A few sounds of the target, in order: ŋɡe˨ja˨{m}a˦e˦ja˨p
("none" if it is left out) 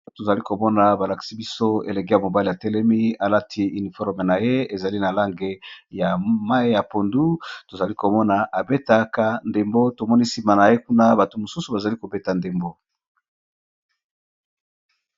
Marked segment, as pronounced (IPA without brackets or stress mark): m